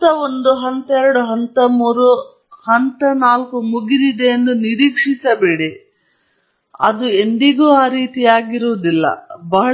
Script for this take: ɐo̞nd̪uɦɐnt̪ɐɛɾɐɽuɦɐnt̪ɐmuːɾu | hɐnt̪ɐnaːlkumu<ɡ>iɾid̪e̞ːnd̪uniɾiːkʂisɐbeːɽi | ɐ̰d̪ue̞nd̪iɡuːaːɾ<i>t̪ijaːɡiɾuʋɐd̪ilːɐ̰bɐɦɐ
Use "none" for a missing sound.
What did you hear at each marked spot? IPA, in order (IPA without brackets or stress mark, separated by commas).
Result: ɡ, iː